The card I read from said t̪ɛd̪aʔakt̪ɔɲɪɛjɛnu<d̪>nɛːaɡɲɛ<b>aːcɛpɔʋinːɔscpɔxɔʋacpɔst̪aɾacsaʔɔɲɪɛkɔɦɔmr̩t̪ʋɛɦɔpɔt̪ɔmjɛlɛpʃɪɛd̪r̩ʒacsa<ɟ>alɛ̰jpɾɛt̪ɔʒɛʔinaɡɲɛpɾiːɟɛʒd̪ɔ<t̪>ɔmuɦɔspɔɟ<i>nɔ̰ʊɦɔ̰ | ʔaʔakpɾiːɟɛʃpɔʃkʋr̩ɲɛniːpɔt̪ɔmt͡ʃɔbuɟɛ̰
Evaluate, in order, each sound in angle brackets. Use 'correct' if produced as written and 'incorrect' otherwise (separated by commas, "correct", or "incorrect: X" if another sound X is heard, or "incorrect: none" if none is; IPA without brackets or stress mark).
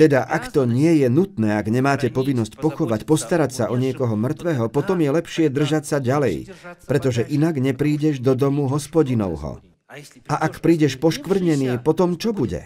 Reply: incorrect: t̪, incorrect: m, correct, incorrect: d̪, correct